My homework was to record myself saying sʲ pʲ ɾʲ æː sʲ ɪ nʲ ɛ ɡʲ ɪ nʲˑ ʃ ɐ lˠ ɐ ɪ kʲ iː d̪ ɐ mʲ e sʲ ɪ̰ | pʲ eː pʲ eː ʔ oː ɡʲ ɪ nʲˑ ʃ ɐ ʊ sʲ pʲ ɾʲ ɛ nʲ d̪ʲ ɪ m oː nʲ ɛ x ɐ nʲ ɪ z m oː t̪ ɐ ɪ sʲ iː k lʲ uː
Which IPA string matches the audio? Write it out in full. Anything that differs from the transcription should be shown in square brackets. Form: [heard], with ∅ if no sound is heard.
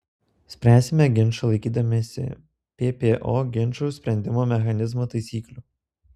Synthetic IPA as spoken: sʲ pʲ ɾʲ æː sʲ ɪ [mʲ] ɛ ɡʲ ɪ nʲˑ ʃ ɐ lˠ ɐ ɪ kʲ iː d̪ ɐ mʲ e sʲ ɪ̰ | pʲ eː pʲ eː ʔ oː ɡʲ ɪ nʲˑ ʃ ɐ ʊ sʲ pʲ ɾʲ ɛ nʲ d̪ʲ ɪ m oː [mʲ] ɛ x ɐ nʲ ɪ z m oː t̪ ɐ ɪ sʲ iː k lʲ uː